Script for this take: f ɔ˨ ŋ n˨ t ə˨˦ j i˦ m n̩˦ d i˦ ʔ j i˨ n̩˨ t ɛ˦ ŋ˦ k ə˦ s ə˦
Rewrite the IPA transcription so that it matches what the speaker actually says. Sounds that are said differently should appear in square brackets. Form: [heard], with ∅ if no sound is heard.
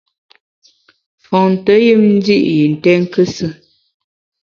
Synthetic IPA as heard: f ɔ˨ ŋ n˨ t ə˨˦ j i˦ m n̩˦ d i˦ ʔ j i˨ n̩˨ t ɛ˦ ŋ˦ k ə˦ s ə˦